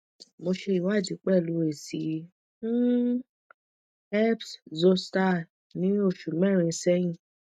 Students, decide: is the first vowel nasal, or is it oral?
oral